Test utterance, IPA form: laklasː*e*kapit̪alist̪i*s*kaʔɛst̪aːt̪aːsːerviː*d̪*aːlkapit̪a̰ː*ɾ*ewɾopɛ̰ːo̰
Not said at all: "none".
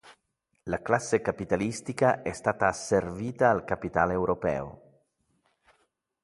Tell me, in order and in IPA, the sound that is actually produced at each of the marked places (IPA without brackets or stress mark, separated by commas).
e, none, t̪, l